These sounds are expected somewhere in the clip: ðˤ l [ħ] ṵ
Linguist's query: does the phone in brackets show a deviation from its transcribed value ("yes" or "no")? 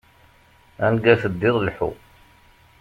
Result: no